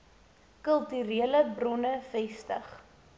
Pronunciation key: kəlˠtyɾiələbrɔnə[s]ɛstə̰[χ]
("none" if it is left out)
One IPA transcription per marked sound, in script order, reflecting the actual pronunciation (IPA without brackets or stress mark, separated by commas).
f, χ